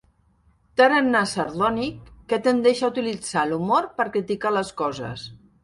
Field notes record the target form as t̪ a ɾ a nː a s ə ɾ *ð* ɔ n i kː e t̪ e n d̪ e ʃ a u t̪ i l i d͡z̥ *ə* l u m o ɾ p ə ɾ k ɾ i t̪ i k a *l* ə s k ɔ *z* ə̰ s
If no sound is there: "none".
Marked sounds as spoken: ð, a, l, z

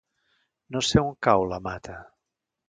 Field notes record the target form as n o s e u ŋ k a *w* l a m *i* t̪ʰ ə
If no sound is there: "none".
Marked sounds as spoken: w, a

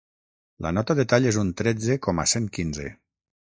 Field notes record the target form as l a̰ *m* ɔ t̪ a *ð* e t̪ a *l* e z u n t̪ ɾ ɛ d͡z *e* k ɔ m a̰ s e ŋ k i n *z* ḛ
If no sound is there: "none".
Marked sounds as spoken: n, ð, ʎ, e, z

